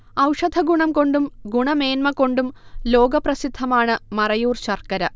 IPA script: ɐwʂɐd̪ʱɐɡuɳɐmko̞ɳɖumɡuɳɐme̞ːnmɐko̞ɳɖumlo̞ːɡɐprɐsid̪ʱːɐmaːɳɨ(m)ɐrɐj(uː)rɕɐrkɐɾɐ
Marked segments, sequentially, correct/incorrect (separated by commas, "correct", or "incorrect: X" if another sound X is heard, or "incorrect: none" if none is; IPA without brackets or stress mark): correct, correct